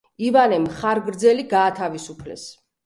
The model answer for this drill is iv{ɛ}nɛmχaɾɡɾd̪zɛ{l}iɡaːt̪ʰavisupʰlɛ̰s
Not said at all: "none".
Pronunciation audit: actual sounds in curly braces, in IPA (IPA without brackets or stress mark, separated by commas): a, l